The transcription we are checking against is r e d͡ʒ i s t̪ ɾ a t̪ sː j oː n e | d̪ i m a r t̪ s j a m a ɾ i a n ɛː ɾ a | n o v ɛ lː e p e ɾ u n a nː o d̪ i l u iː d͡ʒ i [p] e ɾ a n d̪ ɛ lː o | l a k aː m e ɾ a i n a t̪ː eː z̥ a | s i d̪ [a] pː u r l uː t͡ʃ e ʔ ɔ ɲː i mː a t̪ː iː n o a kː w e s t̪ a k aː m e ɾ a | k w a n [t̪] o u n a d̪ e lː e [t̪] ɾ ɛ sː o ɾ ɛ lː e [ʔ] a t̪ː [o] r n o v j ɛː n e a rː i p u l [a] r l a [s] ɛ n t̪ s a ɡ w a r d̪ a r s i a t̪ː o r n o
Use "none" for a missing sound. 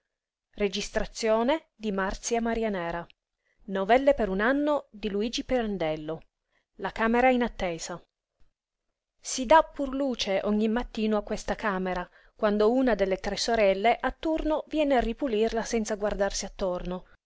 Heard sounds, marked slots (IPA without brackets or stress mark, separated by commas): p, a, d̪, t̪, ʔ, u, i, s